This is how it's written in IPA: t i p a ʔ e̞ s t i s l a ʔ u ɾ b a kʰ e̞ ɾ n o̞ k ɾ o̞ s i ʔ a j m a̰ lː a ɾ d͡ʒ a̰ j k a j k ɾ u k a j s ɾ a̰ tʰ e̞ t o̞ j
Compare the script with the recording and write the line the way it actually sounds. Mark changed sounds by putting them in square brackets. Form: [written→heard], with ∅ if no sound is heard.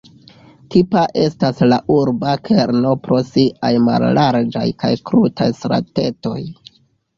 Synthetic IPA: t i p a ʔ e̞ s t [i→a] s l a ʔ u ɾ b a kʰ e̞ ɾ n o̞ [k→p] ɾ o̞ s i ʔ a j m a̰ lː a ɾ d͡ʒ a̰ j k a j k ɾ u [k→t] a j s ɾ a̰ [tʰ→t] e̞ t o̞ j